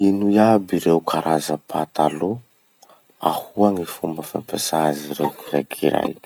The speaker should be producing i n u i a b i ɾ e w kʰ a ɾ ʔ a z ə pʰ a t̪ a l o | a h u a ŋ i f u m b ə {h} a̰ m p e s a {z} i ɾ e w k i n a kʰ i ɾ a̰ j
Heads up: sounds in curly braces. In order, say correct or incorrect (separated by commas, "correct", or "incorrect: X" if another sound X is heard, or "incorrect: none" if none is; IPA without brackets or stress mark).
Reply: incorrect: f, correct